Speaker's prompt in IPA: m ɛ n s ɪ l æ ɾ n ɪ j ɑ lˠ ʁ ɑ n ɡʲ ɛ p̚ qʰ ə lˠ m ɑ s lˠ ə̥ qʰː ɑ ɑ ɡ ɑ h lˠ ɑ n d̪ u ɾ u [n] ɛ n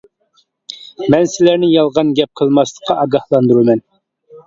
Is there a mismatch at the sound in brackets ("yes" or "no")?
yes